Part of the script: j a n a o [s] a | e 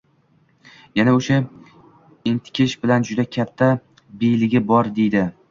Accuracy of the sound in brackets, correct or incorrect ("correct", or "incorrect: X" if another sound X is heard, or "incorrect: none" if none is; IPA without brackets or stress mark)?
incorrect: ʃ